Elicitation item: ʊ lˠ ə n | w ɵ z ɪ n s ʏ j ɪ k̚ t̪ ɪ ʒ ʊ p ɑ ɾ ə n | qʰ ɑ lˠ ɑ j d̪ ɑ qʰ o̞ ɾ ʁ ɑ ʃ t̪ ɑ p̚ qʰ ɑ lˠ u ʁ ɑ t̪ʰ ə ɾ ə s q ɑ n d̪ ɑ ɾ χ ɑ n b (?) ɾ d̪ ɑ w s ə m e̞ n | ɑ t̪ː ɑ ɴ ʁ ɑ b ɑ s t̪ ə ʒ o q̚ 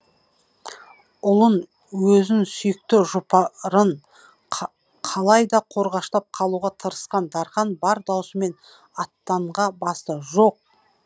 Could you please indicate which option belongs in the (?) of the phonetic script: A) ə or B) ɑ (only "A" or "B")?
B